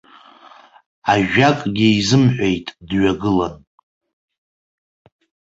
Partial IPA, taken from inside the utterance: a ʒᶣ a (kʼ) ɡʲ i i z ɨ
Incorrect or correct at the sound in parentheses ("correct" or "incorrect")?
correct